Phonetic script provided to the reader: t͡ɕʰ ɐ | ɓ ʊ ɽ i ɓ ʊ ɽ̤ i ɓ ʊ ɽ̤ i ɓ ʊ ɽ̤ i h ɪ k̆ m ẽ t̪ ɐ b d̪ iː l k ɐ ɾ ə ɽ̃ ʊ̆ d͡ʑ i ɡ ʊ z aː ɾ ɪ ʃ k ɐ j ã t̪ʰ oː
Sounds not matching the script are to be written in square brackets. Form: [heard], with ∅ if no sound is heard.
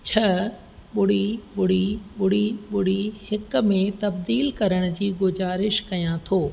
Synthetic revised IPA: t͡ɕʰ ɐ | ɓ ʊ ɽ i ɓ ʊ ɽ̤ i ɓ ʊ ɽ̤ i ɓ ʊ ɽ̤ i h ɪ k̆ m ẽ t̪ ɐ b d̪ iː l k ɐ ɾ ə ɽ̃ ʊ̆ d͡ʑ [iː] ɡ ʊ z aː ɾ ɪ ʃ k ɐ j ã t̪ʰ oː